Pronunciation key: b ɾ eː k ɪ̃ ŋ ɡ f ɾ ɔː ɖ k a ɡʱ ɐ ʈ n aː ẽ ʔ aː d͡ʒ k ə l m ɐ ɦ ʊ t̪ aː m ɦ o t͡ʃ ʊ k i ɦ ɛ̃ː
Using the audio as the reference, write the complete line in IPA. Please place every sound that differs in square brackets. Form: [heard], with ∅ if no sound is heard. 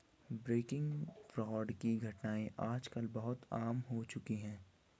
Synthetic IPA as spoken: b ɾ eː k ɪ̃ ŋ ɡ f ɾ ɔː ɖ k [i] ɡʱ ɐ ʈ n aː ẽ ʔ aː d͡ʒ k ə l [b] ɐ ɦ ʊ t̪ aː m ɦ o t͡ʃ ʊ k i ɦ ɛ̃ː